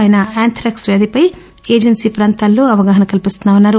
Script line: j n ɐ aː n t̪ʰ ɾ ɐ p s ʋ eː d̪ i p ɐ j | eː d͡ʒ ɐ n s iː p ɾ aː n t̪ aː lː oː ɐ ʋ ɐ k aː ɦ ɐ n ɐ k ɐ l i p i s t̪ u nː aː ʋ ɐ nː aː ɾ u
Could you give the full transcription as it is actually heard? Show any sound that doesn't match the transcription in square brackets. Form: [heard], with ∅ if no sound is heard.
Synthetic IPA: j n ɐ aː n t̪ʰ ɾ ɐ [k] s ʋ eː d̪ i p ɐ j | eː d͡ʒ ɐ n s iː p ɾ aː n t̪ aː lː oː ɐ ʋ ɐ [ɡ] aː ɦ ɐ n ɐ k ɐ l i p i s t̪ u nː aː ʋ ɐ nː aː ɾ u

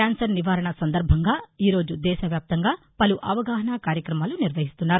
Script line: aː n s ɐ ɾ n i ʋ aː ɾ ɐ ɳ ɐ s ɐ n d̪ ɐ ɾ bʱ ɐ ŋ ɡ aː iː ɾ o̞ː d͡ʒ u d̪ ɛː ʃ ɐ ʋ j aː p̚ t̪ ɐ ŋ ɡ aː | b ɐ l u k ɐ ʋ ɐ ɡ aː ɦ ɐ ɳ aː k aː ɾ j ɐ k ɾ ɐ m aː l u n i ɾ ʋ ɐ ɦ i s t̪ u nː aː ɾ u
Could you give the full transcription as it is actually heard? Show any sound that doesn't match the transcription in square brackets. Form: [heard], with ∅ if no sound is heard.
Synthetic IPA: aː n s ɐ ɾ n i ʋ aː ɾ ɐ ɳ ɐ s ɐ n d̪ ɐ ɾ bʱ ɐ ŋ ɡ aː iː ɾ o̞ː d͡ʒ u d̪ ɛː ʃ ɐ ʋ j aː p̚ t̪ ɐ ŋ ɡ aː | [p] ɐ l u [ʔ] ɐ ʋ ɐ ɡ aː ɦ ɐ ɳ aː k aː ɾ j ɐ k ɾ ɐ m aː l u n i ɾ ʋ ɐ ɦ i s t̪ u nː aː ɾ u

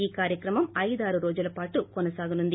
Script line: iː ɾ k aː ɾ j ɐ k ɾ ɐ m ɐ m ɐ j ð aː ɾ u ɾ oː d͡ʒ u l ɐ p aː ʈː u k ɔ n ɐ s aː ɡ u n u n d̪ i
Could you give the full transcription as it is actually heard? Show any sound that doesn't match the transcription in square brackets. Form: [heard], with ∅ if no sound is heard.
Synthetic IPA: iː [∅] k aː ɾ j ɐ k ɾ ɐ m ɐ m ɐ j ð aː ɾ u ɾ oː d͡ʒ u l ɐ p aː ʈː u k ɔ n ɐ s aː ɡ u n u n d̪ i

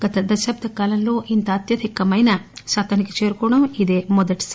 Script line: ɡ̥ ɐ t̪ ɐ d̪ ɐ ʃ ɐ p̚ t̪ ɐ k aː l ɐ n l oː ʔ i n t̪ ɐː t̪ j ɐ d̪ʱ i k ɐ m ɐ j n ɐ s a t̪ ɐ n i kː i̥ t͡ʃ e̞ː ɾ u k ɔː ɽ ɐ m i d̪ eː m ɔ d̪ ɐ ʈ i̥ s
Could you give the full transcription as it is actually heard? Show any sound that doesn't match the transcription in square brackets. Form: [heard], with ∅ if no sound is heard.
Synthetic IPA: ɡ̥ ɐ t̪ ɐ d̪ ɐ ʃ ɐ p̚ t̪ ɐ k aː l ɐ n l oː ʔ i n t̪ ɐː t̪ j ɐ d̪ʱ i k ɐ m ɐ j n ɐ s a t̪ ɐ n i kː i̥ t͡ʃ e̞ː ɾ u k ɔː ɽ ɐ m i d̪ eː m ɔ d̪ ɐ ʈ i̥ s

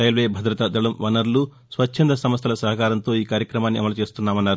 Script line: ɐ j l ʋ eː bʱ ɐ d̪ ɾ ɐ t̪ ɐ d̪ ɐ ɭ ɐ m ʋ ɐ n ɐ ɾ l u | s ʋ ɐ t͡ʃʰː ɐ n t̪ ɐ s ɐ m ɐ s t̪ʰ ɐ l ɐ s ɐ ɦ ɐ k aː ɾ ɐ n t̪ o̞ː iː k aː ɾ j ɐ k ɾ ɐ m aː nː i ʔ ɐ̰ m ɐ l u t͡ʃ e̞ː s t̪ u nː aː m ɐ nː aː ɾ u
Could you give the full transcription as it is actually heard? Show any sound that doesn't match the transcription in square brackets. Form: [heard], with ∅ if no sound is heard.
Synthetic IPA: ɐ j l ʋ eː bʱ ɐ d̪ ɾ ɐ t̪ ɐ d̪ ɐ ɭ ɐ m ʋ ɐ n ɐ ɾ l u | s ʋ ɐ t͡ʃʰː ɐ n [d̪] ɐ s ɐ m ɐ s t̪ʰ ɐ l ɐ s ɐ ɦ ɐ k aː ɾ ɐ n t̪ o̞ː iː k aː ɾ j ɐ k ɾ ɐ m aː nː i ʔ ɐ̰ m ɐ l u t͡ʃ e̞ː s t̪ u nː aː m ɐ nː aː ɾ u

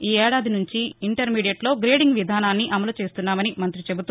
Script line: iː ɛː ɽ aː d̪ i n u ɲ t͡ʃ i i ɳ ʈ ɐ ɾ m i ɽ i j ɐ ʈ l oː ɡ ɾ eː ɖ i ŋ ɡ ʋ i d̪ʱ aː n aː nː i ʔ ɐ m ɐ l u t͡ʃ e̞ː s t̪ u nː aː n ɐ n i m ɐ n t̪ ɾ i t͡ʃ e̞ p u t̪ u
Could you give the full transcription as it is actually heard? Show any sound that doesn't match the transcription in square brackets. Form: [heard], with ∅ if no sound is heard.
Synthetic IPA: iː ɛː ɽ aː d̪ i n u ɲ t͡ʃ i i ɳ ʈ ɐ ɾ m [iː] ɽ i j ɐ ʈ l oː ɡ ɾ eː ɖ i ŋ ɡ ʋ i d̪ʱ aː n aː nː i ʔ ɐ m ɐ l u t͡ʃ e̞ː s t̪ u nː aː [m] ɐ n i m ɐ n t̪ ɾ i t͡ʃ e̞ [b] u t̪ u

